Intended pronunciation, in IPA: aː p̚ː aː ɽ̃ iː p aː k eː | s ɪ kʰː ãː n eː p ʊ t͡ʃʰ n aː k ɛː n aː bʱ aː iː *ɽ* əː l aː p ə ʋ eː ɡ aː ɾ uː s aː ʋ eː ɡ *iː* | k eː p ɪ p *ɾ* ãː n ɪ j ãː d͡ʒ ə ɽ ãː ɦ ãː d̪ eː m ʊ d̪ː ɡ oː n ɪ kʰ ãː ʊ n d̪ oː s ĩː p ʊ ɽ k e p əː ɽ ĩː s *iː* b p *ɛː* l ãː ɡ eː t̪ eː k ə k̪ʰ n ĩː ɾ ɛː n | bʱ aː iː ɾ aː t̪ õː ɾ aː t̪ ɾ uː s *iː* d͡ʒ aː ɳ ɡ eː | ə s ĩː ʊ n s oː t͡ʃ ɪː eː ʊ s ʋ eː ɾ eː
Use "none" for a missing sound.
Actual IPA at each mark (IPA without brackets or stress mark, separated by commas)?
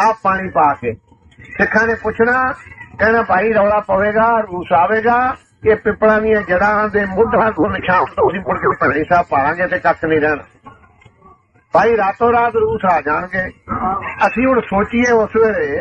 ɾ, aː, ɽ, aː, aː, aː